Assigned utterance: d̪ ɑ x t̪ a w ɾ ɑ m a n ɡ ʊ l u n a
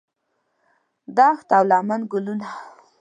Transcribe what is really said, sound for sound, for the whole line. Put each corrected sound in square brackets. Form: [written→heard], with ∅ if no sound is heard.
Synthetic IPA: d̪ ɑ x t̪ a w [ɾ→l] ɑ m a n ɡ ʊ l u n a

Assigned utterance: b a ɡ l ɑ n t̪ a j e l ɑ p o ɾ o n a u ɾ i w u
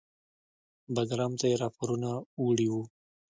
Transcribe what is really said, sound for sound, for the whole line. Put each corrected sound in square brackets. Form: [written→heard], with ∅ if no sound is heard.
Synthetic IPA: b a ɡ [l→ɾ] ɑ [n→m] t̪ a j e [l→ɾ] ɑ p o ɾ [o→u] n a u [ɾ→ɽ] i w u

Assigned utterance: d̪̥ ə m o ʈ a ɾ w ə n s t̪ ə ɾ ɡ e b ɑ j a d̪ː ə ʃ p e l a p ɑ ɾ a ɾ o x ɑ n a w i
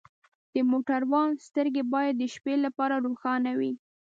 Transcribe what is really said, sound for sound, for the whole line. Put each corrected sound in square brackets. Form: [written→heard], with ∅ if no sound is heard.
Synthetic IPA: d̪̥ ə m o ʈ a ɾ w [ə→ɑ] n s t̪ ə ɾ ɡ e b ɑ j a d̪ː ə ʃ p e l a p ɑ ɾ a ɾ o x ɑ n a w i

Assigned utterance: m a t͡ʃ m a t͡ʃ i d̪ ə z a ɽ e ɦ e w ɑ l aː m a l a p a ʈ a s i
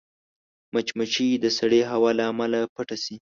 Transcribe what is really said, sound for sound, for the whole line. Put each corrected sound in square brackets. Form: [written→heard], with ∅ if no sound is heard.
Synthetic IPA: m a t͡ʃ m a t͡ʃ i d̪ ə [z→s] a ɽ e ɦ [e→a] w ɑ l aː m a l a p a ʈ a s i

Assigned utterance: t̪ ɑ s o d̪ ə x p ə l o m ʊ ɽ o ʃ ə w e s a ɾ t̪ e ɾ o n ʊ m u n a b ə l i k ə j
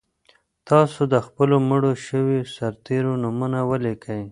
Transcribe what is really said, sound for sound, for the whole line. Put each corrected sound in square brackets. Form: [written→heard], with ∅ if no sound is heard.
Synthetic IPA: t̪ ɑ s o d̪ ə x p ə l o m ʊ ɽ o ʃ ə w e s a ɾ t̪ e ɾ o n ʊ m u n a [b→w] ə l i k ə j

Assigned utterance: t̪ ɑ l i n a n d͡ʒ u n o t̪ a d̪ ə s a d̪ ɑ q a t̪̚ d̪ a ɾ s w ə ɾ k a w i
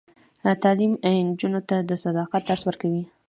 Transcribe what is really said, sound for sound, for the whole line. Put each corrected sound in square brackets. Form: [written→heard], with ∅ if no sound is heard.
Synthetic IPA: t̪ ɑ l i [n→m] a n d͡ʒ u n o t̪ a d̪ ə s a d̪ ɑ q a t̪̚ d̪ a ɾ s w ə ɾ k a w i

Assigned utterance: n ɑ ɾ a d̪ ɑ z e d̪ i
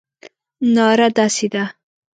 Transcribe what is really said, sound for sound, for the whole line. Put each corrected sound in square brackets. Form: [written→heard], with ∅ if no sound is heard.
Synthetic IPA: n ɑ ɾ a d̪ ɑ [z→s] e d̪ [i→a]

